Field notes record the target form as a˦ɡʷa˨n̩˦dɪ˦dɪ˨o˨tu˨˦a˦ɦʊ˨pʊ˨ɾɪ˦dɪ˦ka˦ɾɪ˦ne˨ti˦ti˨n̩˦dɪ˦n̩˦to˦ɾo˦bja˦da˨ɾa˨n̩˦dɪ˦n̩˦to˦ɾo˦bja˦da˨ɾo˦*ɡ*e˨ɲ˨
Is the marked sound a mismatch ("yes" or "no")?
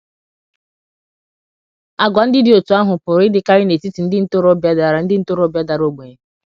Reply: yes